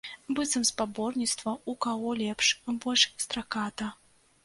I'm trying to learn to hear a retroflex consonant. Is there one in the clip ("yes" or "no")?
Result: yes